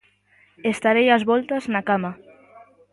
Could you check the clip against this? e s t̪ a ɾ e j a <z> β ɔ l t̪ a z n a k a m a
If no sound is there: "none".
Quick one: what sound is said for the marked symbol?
z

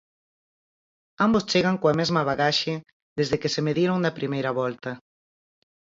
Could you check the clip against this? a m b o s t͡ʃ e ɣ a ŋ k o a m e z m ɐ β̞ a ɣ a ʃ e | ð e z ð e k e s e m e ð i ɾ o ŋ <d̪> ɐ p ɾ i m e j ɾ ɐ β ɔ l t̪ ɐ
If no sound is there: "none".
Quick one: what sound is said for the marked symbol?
d̪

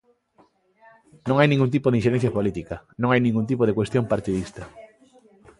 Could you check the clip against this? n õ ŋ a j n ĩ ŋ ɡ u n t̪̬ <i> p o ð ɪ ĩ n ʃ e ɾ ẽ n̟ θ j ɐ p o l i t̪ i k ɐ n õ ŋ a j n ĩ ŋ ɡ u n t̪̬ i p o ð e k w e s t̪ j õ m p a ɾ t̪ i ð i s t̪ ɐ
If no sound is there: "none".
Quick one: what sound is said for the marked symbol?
i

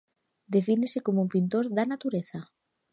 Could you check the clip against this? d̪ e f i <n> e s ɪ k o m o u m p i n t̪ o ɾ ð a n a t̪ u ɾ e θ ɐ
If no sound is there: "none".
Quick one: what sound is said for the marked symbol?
n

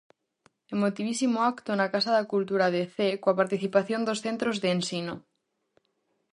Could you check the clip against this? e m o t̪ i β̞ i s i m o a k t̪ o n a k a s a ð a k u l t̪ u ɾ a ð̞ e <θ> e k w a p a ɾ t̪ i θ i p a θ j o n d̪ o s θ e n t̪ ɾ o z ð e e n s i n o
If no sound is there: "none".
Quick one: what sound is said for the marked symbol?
θ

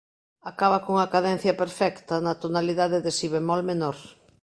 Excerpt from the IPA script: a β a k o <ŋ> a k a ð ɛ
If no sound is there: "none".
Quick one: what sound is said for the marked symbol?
ŋ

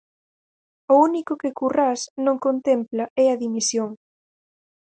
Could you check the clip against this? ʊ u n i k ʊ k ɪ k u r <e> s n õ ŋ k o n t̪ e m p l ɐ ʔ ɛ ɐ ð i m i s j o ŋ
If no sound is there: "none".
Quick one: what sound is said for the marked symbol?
a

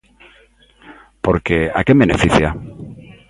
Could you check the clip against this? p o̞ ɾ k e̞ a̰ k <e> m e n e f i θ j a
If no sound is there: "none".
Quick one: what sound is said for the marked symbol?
e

